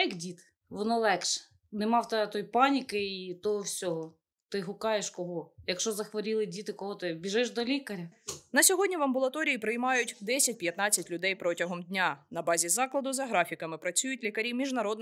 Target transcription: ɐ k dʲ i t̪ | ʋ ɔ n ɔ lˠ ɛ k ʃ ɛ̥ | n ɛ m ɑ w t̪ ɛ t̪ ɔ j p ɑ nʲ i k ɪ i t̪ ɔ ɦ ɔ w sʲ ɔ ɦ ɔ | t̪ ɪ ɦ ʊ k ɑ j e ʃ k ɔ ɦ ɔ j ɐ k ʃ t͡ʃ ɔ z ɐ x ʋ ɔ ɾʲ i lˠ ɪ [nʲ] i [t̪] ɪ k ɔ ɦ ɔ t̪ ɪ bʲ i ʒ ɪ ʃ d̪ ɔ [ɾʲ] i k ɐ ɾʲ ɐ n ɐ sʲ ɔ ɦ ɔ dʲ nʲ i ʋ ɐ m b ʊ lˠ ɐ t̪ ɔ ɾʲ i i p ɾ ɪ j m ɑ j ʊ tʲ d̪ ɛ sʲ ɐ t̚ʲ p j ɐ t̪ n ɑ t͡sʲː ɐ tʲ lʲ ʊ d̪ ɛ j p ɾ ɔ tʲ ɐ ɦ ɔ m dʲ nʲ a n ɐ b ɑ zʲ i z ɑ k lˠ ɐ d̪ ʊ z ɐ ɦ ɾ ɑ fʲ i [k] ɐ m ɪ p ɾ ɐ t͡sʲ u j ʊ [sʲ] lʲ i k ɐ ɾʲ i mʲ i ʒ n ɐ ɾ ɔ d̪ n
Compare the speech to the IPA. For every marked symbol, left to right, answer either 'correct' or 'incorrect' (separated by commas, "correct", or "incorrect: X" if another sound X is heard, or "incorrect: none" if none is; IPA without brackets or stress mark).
incorrect: dʲ, correct, incorrect: lʲ, correct, incorrect: tʲ